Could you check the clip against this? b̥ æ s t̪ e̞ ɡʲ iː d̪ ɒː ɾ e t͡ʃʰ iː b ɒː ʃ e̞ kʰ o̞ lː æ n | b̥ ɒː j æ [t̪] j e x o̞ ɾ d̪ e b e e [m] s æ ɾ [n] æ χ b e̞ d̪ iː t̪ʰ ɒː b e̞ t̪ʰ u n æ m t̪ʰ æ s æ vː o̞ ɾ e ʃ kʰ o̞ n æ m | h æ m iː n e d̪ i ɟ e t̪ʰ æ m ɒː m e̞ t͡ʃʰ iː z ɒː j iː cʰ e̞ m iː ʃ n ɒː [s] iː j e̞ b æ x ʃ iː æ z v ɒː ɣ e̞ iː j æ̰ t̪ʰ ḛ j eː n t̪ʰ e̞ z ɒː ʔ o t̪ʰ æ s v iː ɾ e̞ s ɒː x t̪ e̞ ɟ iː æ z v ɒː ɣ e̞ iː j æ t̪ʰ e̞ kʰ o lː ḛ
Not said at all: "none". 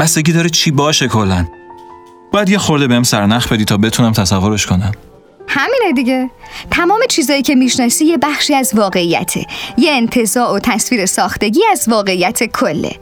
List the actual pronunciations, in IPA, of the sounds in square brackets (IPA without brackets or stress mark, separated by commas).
d̪, m, n, s